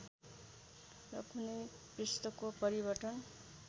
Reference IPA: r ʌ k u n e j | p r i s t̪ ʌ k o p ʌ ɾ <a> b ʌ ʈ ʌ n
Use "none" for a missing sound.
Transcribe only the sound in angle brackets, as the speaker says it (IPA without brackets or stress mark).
i